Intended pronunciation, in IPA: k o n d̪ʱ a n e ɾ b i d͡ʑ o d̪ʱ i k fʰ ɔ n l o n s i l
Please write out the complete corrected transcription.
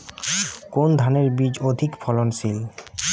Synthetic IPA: k o n d̪ʱ a n e ɾ b i d͡ʑ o d̪ʱ i k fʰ ɔ l o n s i l